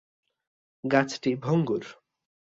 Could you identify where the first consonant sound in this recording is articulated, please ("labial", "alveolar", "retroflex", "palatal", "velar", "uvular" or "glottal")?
velar